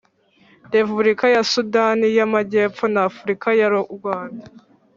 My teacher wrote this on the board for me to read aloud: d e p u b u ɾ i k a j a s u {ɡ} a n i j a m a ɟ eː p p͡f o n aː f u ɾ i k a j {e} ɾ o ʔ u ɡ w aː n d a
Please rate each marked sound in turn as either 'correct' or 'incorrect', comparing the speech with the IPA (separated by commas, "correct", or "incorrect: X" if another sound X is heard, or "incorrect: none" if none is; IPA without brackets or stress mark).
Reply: incorrect: d, incorrect: a